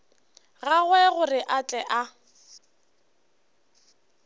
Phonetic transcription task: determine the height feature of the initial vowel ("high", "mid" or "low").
low